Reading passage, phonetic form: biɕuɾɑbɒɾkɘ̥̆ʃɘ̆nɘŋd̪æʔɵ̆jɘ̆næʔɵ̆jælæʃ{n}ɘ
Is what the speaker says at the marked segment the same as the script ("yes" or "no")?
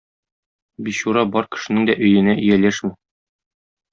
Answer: no